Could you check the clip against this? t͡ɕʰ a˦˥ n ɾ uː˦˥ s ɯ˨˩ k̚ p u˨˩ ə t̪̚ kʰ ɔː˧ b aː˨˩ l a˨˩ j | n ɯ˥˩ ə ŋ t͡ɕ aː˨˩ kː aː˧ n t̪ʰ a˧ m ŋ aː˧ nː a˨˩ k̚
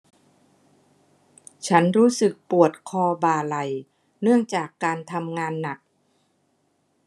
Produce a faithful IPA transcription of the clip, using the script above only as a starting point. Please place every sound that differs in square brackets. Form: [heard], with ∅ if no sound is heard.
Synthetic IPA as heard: t͡ɕʰ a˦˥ n ɾ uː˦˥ s ɯ˨˩ k̚ p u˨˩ ə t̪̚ kʰ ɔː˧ b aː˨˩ l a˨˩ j | n ɯ˥˩ ə ŋ t͡ɕ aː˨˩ kː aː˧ n t̪ʰ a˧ m ŋ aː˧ nː a˨˩ k̚